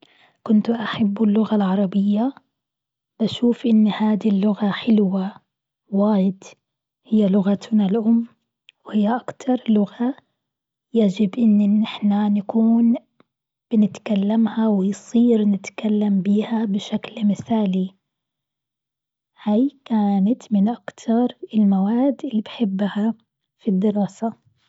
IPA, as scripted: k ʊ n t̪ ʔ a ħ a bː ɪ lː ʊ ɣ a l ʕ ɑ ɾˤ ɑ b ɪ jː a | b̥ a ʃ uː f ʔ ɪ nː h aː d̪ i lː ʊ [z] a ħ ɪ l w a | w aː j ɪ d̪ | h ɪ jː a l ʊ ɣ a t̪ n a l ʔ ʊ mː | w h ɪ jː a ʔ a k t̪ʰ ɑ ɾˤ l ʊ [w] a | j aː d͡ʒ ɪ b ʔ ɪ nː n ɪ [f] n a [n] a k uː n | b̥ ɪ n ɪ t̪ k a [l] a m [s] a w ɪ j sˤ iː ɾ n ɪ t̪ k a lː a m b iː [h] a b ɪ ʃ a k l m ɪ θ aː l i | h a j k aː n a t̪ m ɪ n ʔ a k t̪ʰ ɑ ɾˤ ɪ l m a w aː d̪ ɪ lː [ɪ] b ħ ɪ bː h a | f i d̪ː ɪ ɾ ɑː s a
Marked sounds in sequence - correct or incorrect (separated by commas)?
incorrect, incorrect, incorrect, correct, incorrect, incorrect, correct, incorrect